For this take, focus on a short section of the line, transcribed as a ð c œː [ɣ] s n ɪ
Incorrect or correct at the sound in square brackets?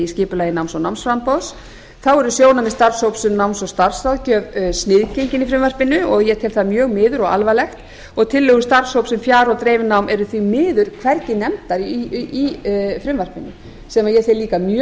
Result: incorrect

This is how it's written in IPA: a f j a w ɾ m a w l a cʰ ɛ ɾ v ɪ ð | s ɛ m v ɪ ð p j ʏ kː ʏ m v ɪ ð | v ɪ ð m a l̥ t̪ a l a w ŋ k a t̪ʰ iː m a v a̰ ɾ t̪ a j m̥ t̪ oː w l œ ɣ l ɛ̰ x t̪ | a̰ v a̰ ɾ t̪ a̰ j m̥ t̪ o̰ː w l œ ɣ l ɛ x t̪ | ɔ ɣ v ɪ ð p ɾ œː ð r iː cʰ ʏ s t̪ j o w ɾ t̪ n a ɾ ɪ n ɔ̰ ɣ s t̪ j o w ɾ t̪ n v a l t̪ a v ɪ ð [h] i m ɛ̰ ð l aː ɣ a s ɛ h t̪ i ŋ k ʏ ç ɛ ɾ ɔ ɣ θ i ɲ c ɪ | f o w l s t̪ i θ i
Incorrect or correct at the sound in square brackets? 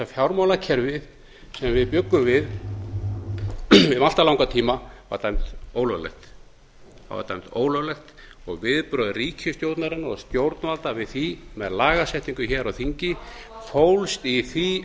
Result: incorrect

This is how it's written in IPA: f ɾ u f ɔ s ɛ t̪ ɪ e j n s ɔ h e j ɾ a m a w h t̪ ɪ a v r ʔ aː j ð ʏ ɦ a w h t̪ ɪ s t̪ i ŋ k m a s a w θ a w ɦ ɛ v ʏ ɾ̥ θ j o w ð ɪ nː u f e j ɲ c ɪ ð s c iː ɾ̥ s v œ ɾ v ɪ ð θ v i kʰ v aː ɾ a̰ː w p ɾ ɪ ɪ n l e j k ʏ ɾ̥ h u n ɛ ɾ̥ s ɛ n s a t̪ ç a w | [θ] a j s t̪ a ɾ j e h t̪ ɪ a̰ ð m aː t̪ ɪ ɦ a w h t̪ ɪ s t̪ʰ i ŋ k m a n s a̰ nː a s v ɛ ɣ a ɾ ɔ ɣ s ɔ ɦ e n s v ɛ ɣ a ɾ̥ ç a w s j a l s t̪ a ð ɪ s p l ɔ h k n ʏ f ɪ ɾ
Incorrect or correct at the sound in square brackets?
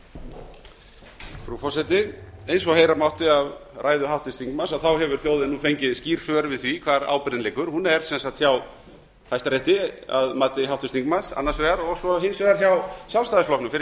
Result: correct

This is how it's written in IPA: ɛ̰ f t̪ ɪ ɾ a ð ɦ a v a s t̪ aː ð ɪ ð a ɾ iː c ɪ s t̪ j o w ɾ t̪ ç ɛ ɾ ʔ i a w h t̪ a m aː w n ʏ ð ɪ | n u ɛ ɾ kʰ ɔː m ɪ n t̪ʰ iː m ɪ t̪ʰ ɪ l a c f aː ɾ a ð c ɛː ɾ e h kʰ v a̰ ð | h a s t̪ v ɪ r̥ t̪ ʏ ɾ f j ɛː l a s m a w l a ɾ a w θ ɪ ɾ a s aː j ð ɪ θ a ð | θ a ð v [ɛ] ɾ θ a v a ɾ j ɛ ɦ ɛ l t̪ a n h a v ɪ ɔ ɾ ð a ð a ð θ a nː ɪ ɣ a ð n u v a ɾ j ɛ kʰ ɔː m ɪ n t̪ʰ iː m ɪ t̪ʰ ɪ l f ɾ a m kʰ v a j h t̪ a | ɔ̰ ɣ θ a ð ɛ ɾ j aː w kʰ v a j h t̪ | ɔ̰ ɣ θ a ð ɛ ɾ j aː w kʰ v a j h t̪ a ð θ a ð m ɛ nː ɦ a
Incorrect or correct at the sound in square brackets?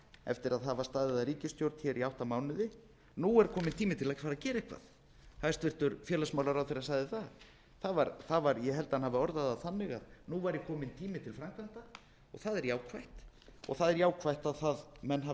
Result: incorrect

